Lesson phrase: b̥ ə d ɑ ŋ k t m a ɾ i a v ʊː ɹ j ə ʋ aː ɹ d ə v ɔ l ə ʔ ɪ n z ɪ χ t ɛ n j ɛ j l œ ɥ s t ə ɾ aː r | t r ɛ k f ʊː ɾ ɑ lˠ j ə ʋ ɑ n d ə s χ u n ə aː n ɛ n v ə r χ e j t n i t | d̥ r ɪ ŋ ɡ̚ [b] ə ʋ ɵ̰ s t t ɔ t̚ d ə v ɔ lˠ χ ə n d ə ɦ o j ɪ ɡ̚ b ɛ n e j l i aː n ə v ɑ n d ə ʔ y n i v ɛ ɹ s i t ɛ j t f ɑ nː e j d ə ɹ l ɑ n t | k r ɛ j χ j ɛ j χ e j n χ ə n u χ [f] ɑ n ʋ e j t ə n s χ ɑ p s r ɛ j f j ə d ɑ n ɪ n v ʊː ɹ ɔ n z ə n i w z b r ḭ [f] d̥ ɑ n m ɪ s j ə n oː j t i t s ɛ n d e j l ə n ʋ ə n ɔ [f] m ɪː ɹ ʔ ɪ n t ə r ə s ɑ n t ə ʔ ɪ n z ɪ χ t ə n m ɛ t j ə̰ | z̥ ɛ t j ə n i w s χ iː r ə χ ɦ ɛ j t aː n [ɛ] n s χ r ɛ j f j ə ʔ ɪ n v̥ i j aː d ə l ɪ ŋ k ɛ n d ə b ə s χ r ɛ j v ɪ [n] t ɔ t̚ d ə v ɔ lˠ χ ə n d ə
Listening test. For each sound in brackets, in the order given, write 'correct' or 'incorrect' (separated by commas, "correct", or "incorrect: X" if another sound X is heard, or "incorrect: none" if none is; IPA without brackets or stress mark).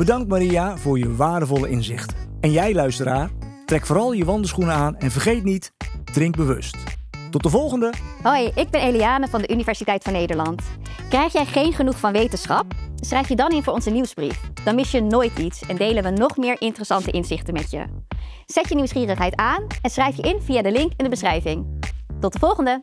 correct, correct, correct, incorrect: χ, correct, incorrect: ŋ